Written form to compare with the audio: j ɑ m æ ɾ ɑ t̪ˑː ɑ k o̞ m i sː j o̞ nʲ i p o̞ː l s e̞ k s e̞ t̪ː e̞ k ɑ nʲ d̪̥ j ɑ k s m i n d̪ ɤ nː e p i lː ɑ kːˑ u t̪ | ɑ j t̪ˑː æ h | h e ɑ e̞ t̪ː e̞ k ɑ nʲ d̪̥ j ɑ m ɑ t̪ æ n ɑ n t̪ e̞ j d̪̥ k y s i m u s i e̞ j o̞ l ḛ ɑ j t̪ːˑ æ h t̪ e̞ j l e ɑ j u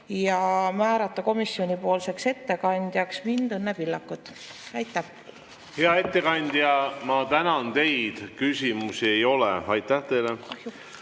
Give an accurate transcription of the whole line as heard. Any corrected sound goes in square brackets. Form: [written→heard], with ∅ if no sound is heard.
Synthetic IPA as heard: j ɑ m [æ→æː] ɾ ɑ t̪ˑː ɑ k o̞ m i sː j o̞ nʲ i p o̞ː l s e̞ k s e̞ t̪ː e̞ k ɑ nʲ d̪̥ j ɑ k s m i n d̪ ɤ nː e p i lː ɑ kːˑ u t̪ | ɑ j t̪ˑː æ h | h e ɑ e̞ t̪ː e̞ k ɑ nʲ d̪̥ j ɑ m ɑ t̪ æ n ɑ n t̪ e̞ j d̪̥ k y s i m u s i e̞ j o̞ l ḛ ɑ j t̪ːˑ æ h t̪ e̞ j l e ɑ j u